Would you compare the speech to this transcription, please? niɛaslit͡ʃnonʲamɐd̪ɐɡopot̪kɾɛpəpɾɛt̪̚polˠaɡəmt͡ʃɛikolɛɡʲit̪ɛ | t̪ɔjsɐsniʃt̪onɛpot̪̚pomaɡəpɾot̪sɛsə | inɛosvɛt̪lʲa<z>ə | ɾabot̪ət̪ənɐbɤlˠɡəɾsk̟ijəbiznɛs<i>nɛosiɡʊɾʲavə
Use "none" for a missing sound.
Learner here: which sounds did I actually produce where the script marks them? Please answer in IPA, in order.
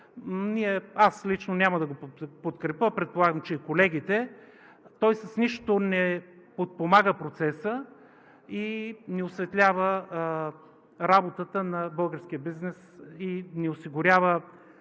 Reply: v, i

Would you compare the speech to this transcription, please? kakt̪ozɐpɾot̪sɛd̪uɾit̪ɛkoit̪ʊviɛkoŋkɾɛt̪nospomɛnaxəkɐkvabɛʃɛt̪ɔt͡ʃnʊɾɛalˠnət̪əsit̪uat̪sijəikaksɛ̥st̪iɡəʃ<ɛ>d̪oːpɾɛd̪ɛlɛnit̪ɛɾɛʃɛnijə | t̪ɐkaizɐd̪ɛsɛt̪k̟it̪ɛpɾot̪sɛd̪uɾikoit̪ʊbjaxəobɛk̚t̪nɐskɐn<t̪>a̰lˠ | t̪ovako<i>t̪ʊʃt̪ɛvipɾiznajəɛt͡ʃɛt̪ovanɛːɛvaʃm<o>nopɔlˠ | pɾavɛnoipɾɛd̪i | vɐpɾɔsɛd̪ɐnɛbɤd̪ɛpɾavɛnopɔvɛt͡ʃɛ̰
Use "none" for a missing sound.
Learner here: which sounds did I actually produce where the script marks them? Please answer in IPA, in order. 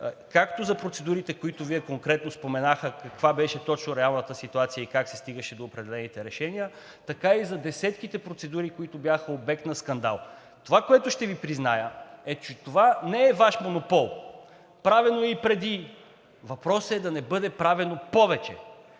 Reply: ɛ, d̪, ɛ, o

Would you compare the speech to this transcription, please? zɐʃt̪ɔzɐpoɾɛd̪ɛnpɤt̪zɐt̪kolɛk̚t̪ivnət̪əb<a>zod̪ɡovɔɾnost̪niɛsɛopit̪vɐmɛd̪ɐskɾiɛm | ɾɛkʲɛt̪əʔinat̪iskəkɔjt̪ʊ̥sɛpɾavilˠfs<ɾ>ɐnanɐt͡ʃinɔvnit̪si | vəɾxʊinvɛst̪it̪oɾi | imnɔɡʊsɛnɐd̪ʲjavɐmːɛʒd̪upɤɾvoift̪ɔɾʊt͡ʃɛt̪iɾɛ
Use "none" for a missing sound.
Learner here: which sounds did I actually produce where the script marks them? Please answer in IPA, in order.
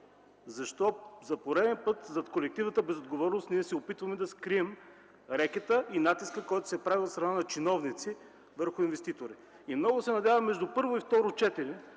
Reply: ɛ, ɾ

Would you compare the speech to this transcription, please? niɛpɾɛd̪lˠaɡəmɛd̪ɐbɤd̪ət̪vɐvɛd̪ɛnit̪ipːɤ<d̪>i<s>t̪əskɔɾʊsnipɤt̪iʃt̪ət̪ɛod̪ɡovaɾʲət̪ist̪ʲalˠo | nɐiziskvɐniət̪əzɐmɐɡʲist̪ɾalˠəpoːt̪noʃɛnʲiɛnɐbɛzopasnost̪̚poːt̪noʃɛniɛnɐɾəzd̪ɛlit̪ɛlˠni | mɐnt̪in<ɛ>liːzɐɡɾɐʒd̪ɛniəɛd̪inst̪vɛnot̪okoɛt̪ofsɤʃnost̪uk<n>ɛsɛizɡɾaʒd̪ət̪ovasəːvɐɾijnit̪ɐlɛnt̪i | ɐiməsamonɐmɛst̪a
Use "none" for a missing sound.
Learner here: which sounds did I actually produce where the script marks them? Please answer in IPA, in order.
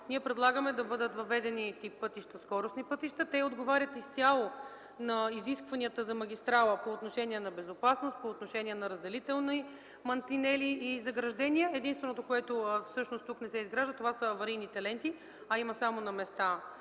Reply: t̪, ʃ, ɛ, n

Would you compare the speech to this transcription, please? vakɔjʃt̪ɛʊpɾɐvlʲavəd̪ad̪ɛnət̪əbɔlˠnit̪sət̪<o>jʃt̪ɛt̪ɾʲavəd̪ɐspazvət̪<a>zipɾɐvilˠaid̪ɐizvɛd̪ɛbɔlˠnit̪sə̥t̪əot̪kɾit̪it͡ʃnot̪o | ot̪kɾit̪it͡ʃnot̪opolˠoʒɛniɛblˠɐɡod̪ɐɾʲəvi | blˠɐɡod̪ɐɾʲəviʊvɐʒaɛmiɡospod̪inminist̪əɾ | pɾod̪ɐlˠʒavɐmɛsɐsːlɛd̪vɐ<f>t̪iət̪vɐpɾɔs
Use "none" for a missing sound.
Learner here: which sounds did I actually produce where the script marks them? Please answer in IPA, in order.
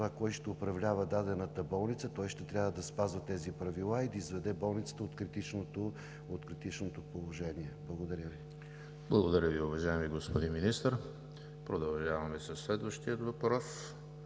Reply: ɔ, ɛ, ʃ

